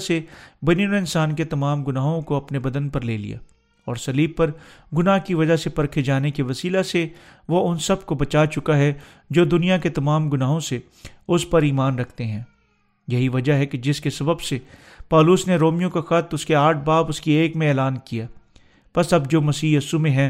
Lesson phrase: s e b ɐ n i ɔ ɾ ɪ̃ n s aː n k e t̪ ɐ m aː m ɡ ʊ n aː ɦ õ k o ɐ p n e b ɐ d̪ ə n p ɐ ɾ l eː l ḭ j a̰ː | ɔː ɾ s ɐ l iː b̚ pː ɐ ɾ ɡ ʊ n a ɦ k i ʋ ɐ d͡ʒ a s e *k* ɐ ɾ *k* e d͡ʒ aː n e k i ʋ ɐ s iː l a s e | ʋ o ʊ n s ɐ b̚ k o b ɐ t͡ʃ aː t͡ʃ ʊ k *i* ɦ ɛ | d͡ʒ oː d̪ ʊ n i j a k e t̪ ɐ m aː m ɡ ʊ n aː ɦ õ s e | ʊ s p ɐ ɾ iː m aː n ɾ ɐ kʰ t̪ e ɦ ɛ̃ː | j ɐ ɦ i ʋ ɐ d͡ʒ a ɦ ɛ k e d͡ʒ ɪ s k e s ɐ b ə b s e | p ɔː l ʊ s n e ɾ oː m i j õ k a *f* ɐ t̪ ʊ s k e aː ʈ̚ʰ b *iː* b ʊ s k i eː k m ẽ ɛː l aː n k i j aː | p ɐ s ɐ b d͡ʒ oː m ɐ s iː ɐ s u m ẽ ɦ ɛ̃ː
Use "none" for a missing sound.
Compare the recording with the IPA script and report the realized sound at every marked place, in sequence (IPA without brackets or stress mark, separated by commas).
p, kʰ, a, x, aː